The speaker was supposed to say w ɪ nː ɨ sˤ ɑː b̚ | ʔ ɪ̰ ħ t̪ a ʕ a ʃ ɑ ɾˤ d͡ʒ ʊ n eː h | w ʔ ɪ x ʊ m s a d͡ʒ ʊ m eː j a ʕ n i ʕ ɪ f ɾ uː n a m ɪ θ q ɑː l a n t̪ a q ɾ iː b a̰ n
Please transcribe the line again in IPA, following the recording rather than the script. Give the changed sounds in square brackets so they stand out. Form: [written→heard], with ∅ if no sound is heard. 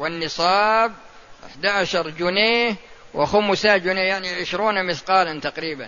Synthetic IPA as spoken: w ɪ nː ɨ sˤ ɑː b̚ | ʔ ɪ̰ ħ [t̪→d̪] a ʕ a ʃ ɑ ɾˤ d͡ʒ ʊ n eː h | w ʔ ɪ x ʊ m s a d͡ʒ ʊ [m→n] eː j a ʕ n i ʕ ɪ [f→ʃ] ɾ uː n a m ɪ θ q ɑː l a n t̪ a q ɾ iː b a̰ n